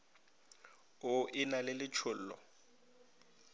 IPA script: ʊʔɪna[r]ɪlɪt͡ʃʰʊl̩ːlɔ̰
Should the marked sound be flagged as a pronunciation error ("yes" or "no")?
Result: yes